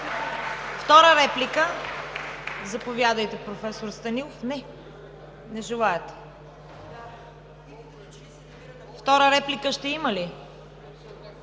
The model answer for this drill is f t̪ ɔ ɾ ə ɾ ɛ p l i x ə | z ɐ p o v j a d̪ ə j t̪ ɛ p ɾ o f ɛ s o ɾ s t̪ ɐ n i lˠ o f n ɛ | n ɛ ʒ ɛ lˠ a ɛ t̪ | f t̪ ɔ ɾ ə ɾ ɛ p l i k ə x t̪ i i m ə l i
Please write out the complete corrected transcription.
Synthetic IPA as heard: f t̪ ɔ ɾ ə ɾ ɛ p l i k ə | z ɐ p o v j a d̪ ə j t̪ ɛ p ɾ o f ɛ s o ɾ s t̪ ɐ n i lˠ o f n ɛ | n ɛ ʒ ɛ lˠ a ɛ t̪ | f t̪ ɔ ɾ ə ɾ ɛ p l i k ə ʃ t̪ ɛ i m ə l i